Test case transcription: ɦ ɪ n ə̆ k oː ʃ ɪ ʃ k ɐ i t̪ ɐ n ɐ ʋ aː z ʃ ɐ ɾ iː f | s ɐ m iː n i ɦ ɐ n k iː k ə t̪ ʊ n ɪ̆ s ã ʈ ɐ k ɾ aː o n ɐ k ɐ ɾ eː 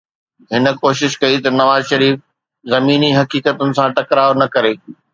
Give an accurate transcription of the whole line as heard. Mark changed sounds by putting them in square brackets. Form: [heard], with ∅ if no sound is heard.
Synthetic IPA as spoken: ɦ ɪ n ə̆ k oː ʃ ɪ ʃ k ɐ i t̪ ɐ n ɐ ʋ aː z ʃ ɐ ɾ iː f | [z] ɐ m iː n i ɦ ɐ [∅] k iː k ə t̪ ʊ n ɪ̆ s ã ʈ ɐ k ɾ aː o n ɐ k ɐ ɾ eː